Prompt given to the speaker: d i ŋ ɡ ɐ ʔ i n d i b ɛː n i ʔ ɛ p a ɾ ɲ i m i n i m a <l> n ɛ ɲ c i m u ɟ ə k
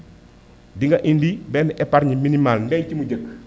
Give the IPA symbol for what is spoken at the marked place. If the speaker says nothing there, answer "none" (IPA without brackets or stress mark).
l